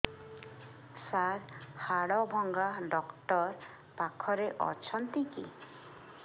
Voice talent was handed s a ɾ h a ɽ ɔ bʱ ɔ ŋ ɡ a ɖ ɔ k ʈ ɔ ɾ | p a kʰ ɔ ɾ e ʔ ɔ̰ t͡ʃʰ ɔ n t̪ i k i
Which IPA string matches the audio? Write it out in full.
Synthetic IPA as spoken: s a ɾ h a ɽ ɔ bʱ ɔ ŋ ɡ a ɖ ɔ k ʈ ɔ ɾ | p a kʰ ɔ ɾ e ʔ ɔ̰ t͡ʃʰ ɔ n t̪ i k i